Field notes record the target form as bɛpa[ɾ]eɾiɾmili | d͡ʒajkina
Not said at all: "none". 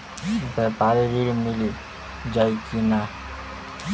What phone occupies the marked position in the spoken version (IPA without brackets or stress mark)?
ɾ